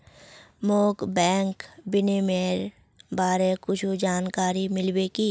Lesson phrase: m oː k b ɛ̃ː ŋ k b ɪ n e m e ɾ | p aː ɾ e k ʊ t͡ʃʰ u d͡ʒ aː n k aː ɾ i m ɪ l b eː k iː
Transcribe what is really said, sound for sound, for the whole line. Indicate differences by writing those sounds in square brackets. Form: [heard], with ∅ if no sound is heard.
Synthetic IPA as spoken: m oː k b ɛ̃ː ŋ k b ɪ n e m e ɾ | [b] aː ɾ e k ʊ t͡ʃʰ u d͡ʒ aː n k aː ɾ i m ɪ l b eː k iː